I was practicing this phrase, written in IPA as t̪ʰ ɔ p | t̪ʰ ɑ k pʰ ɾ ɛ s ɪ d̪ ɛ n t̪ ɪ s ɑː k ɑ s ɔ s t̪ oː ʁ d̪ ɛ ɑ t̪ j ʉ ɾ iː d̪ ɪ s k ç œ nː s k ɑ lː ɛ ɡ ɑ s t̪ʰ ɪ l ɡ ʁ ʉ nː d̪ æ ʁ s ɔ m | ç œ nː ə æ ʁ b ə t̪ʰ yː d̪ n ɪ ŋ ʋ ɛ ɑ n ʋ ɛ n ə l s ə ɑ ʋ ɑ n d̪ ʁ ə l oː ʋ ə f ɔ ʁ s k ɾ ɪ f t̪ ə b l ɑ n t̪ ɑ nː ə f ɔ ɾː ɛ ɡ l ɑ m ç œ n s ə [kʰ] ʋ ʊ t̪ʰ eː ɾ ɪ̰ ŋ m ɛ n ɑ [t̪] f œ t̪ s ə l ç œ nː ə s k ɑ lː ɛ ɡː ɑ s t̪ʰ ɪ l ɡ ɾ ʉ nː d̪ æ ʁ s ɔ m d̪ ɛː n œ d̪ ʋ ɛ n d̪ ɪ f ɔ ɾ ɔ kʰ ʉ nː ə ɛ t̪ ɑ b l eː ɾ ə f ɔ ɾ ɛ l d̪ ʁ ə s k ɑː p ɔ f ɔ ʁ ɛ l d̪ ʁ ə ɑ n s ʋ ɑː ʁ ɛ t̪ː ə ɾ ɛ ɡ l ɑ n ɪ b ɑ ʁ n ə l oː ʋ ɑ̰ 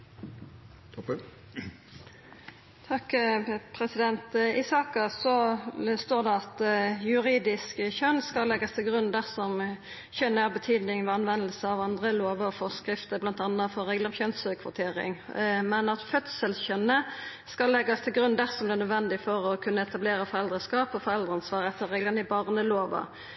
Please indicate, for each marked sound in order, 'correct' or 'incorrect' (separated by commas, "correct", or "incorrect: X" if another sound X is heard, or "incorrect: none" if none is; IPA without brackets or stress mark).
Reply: correct, correct